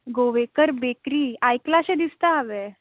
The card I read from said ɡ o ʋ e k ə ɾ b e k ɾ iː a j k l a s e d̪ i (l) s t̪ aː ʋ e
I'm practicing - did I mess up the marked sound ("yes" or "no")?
yes